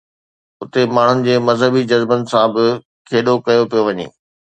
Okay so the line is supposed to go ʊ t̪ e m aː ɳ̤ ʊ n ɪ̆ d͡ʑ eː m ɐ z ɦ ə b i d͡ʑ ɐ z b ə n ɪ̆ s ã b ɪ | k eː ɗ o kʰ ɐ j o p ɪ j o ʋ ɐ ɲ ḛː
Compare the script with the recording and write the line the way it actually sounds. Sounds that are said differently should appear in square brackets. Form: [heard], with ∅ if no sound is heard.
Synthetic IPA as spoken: ʊ t̪ e m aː ɳ̤ ʊ n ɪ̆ d͡ʑ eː m ɐ z ɦ ə b i d͡ʑ ɐ z b ə n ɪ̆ s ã b ɪ | [kʰ] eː ɗ o [k] ɐ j o p [i] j o ʋ ɐ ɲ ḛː